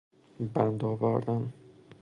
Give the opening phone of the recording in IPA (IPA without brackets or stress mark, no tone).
b